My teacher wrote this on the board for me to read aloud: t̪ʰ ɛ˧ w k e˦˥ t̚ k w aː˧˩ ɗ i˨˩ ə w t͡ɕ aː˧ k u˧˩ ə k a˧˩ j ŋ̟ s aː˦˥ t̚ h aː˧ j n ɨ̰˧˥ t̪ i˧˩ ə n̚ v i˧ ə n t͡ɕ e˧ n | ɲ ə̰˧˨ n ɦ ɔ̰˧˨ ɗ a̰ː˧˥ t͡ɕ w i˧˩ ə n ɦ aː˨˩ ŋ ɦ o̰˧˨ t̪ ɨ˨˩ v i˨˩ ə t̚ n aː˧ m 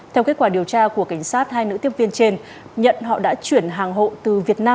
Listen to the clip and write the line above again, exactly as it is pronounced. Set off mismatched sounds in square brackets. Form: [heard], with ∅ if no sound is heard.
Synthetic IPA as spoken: t̪ʰ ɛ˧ w k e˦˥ t̚ k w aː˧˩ ɗ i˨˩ ə w t͡ɕ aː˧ k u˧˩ ə k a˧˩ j ŋ̟ s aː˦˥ t̚ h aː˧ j n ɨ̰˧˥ t̪ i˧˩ ə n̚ v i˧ ə n t͡ɕ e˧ n | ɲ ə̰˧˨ n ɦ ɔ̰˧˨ ɗ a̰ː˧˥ t͡ɕ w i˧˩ ə n ɦ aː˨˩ ŋ ɦ o̰˧˨ t̪ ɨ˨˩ v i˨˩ ə t̚ n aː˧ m

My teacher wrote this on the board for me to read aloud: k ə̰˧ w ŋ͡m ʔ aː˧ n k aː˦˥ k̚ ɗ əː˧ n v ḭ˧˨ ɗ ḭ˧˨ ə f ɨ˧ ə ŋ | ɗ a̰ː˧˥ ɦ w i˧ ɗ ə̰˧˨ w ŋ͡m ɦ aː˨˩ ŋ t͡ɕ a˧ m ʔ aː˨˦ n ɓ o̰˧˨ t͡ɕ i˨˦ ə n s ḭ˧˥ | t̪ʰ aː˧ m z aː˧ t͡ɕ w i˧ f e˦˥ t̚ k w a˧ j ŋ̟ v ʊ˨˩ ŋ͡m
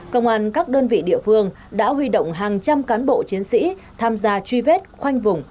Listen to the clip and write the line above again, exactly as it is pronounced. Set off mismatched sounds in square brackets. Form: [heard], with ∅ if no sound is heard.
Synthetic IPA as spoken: k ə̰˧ w ŋ͡m ʔ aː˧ n k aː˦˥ k̚ ɗ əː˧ n v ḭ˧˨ ɗ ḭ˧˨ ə f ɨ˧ ə ŋ | ɗ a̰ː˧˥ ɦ w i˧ ɗ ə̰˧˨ w ŋ͡m ɦ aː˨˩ ŋ t͡ɕ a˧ m [k] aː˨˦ n ɓ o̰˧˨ t͡ɕ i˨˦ ə n s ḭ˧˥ | t̪ʰ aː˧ m z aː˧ t͡ɕ w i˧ [v] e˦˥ t̚ [x] w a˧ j ŋ̟ v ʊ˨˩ ŋ͡m

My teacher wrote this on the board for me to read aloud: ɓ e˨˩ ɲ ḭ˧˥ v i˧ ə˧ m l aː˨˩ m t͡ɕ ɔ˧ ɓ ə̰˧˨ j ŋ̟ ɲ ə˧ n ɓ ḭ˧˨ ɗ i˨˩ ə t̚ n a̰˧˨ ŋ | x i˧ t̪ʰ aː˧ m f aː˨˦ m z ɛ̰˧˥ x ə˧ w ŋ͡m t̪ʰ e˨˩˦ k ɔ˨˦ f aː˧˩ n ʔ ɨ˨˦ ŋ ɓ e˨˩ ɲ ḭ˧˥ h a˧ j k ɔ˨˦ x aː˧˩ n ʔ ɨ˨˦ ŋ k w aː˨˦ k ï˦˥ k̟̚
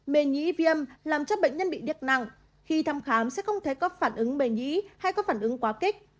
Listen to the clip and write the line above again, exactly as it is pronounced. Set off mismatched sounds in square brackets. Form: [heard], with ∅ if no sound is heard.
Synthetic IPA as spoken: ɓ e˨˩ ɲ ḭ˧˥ v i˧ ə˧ m l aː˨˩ m t͡ɕ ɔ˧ ɓ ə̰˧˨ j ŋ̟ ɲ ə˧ n ɓ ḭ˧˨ ɗ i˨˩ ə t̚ n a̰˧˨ ŋ | x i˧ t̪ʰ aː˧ m [x] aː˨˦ m [s] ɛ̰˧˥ x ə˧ w ŋ͡m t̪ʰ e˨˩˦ k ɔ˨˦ f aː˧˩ n ʔ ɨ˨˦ ŋ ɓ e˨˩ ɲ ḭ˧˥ h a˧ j k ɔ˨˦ [f] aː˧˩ n ʔ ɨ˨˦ ŋ k w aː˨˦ k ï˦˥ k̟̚

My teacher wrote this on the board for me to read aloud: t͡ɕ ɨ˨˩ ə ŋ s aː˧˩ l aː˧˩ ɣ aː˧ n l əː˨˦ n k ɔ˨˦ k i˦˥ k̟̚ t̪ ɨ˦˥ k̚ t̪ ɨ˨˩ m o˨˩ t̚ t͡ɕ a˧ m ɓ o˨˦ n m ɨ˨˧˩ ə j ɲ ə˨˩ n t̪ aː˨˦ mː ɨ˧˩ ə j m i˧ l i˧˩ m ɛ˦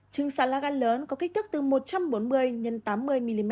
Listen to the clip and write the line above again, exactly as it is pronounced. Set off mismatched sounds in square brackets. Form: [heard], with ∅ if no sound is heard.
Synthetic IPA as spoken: t͡ɕ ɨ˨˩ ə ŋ s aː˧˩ l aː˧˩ ɣ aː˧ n l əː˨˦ n k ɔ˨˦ k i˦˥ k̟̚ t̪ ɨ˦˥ k̚ t̪ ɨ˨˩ m o˨˩ t̚ t͡ɕ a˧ m ɓ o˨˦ n m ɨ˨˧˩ ə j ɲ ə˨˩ n t̪ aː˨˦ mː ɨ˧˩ ə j m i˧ l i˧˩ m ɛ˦

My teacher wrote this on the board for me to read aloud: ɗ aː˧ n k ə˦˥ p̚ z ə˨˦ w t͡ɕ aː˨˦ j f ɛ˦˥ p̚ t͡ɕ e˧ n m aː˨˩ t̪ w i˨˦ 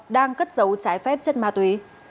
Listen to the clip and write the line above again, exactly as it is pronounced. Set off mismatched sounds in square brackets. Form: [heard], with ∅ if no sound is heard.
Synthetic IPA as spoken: ɗ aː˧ [ŋ] k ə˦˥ [t̚] z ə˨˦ w t͡ɕ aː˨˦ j f ɛ˦˥ p̚ t͡ɕ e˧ n m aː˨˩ t̪ w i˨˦

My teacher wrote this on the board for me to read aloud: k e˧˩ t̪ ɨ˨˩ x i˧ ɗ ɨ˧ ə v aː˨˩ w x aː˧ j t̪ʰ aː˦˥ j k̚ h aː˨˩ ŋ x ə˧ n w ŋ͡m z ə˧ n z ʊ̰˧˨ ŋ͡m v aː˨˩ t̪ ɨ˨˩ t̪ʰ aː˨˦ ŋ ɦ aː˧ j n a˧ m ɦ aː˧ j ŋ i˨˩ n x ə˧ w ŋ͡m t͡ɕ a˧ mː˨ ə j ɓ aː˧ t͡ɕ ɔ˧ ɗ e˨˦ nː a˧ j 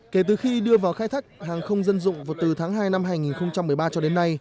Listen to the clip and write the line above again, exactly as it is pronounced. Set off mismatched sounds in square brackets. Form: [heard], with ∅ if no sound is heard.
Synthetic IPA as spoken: k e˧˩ t̪ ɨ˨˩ x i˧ ɗ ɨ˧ ə v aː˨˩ w x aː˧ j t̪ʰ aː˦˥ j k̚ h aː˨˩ ŋ x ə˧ [∅] w ŋ͡m z ə˧ n z ʊ̰˧˨ ŋ͡m v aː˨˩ t̪ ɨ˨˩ t̪ʰ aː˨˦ ŋ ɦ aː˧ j n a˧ m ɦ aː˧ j ŋ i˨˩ n x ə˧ w ŋ͡m t͡ɕ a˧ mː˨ ə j ɓ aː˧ t͡ɕ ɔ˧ ɗ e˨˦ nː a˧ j

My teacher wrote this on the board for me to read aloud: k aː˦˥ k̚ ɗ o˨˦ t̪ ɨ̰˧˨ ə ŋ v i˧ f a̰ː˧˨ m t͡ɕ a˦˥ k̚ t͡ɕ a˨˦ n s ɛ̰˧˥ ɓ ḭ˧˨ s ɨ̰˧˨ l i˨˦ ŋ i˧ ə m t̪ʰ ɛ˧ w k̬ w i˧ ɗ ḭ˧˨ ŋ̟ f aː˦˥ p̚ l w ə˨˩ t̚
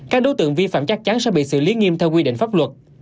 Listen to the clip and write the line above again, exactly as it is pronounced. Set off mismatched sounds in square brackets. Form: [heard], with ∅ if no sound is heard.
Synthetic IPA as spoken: k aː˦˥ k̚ ɗ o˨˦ t̪ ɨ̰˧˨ ə ŋ v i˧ f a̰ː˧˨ m t͡ɕ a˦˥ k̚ t͡ɕ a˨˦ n s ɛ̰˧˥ ɓ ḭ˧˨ s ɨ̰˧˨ l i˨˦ ŋ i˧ ə m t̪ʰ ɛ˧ w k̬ w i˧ ɗ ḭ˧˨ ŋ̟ f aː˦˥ p̚ l w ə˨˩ t̚

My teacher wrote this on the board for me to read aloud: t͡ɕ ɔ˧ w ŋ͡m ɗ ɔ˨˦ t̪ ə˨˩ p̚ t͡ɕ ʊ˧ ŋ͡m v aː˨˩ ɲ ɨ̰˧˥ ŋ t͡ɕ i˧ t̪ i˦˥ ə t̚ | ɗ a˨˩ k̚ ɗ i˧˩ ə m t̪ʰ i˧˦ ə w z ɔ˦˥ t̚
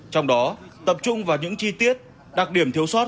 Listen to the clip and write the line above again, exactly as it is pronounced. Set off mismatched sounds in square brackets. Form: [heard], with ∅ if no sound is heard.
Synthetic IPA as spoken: t͡ɕ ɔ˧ w ŋ͡m ɗ ɔ˨˦ t̪ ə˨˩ p̚ t͡ɕ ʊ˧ ŋ͡m v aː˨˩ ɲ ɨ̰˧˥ ŋ t͡ɕ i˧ t̪ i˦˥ ə t̚ | ɗ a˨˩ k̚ ɗ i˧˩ ə m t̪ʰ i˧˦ ə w [s] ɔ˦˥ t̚

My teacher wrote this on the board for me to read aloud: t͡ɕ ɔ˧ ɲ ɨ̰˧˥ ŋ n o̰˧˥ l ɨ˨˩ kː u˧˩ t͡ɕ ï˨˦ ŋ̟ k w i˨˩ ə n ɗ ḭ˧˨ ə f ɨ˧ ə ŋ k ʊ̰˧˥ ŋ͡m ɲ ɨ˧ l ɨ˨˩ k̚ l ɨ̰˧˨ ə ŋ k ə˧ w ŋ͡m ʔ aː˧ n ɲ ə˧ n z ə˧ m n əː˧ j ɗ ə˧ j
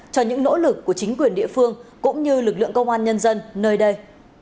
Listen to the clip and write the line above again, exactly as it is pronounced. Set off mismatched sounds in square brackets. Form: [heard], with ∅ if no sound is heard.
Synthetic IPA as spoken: t͡ɕ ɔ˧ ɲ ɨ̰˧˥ ŋ n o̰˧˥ l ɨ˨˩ kː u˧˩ t͡ɕ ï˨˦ ŋ̟ k w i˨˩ ə n ɗ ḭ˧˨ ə f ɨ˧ ə ŋ k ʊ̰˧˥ ŋ͡m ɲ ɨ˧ l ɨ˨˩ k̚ l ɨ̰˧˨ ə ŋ k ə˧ w ŋ͡m ʔ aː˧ n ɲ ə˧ n z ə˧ [n] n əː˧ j ɗ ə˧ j

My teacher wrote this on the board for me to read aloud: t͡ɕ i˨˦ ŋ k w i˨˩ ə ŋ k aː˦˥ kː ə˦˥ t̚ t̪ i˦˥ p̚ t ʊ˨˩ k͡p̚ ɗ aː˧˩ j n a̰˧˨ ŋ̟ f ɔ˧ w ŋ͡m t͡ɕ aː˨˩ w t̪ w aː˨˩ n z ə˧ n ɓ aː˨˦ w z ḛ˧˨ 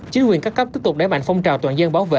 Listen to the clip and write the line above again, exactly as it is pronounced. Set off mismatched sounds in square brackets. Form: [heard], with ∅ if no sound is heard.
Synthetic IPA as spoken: t͡ɕ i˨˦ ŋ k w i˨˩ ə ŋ k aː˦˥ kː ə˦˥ [p̚] t̪ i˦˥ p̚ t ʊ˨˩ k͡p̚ ɗ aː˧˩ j [m] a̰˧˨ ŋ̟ f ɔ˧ w ŋ͡m t͡ɕ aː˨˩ w t̪ w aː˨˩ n z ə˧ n ɓ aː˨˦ w [v] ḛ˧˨

